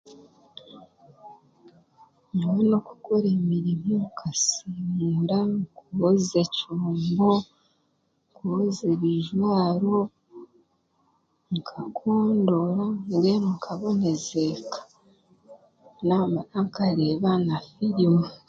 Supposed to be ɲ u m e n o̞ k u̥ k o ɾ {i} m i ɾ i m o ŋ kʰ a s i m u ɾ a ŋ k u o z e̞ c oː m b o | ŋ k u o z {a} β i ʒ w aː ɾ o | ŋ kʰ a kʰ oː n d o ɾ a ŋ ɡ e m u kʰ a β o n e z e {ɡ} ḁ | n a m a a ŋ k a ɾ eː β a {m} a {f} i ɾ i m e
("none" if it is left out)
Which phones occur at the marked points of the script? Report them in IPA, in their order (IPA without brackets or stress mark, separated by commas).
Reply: e, e, k, n, f